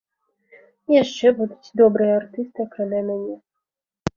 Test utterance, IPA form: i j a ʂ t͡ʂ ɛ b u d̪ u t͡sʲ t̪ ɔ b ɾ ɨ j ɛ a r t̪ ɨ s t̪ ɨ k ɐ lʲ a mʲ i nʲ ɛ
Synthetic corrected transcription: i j a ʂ t͡ʂ ɛ b u d̪ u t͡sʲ d̪ ɔ b ɾ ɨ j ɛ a r t̪ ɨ s t̪ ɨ k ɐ lʲ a mʲ a nʲ ɛ